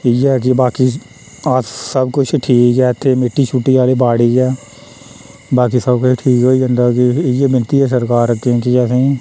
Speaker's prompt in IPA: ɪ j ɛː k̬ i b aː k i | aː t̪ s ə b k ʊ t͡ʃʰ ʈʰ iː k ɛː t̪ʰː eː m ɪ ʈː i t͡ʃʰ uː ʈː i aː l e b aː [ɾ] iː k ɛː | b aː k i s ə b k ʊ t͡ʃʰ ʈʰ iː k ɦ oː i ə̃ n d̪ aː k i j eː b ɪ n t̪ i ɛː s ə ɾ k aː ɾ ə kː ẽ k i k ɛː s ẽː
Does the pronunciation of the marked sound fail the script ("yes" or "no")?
yes